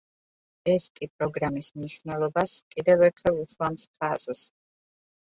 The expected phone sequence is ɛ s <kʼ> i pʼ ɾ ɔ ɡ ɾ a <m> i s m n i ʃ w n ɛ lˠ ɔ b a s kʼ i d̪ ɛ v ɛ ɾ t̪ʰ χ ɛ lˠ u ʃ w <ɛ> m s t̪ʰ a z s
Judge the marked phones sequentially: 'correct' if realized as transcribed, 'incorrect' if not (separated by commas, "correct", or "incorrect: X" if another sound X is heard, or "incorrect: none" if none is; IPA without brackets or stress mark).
correct, correct, incorrect: a